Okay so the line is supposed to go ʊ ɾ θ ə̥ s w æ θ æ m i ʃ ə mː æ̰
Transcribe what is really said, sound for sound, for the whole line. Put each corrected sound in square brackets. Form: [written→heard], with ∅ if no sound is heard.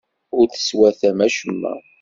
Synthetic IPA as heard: ʊ ɾ θ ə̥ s w æ θ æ m [i→æ] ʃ ə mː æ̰